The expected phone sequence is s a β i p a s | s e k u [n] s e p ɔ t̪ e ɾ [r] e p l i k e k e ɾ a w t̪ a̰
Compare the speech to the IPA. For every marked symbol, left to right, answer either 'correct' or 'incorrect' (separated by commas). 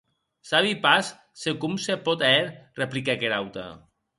incorrect, correct